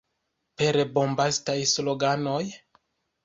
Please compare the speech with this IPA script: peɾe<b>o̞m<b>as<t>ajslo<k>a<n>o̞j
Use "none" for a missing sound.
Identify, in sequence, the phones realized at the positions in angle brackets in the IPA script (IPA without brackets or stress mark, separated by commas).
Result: b, b, t, ɡ, n